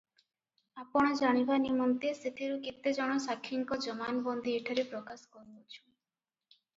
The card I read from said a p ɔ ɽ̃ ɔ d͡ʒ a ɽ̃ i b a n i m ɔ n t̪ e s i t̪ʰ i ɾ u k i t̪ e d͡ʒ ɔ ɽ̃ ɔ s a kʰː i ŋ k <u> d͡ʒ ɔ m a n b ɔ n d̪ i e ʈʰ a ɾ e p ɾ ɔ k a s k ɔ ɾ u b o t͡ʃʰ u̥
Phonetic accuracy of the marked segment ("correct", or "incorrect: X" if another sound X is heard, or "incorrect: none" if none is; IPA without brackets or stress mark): incorrect: ɔ